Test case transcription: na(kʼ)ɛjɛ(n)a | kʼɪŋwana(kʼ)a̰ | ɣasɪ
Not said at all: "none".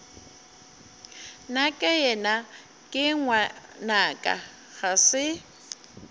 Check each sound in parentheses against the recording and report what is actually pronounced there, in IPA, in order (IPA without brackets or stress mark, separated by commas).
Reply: kʼ, n, kʼ